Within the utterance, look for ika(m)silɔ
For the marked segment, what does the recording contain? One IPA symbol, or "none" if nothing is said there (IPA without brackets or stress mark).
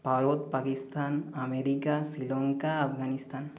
none